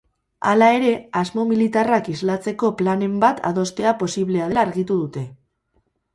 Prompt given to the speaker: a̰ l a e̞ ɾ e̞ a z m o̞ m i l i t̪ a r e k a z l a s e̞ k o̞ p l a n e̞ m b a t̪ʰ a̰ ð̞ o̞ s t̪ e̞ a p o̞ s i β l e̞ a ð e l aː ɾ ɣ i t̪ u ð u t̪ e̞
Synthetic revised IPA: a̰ l a e̞ ɾ e̞ a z m o̞ m i l i t̪ a r a k i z l a t͡s e̞ k o̞ p l a n e̞ m b a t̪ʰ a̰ ð̞ o̞ s t̪ e̞ a p o̞ s i β l e̞ a ð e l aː ɾ ɣ i t̪ u ð u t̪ e̞